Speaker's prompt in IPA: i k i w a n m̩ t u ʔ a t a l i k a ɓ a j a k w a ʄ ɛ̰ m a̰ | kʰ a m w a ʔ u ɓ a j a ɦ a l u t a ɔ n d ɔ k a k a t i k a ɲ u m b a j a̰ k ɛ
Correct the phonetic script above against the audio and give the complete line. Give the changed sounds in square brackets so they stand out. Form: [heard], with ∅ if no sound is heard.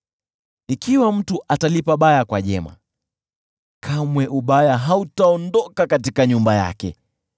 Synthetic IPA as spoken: i k i w a [∅] m̩ t u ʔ a t a l i [p] a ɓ a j a k w a ʄ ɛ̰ m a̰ | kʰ a m w [ɛ] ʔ u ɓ a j a ɦ a [∅] u t a ɔ n d ɔ k a k a t i k a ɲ u m b a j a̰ k ɛ